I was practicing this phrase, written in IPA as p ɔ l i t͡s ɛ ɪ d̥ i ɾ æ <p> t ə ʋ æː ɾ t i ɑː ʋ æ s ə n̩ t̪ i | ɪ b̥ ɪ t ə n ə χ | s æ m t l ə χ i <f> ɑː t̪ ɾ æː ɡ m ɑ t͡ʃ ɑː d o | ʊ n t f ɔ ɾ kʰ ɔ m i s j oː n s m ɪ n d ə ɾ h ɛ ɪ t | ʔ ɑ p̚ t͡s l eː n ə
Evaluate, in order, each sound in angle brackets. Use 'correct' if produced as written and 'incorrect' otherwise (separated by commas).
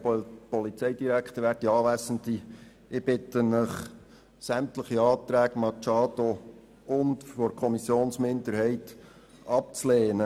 incorrect, incorrect